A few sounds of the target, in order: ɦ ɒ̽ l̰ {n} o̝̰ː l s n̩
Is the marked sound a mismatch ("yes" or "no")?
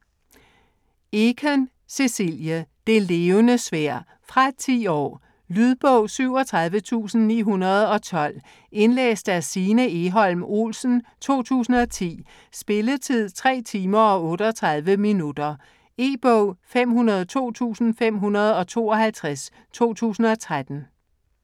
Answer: yes